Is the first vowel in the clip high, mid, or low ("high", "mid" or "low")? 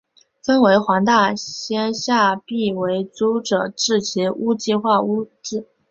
mid